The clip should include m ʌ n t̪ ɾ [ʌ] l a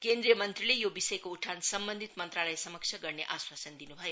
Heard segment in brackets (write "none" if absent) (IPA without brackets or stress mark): a